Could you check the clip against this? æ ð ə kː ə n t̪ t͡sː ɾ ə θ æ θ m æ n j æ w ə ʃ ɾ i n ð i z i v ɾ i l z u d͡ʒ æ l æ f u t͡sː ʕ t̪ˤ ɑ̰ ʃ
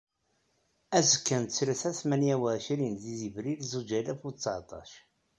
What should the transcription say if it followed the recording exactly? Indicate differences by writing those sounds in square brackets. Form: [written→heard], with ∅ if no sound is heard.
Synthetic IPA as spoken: æ [ð→z] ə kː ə n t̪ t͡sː ɾ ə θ æ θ m æ n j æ w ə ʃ ɾ i n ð i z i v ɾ i l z u d͡ʒ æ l æ f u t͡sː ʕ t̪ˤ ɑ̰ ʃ